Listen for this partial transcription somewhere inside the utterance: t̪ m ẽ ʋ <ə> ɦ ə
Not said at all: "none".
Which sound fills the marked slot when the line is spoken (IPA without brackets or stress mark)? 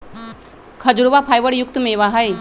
a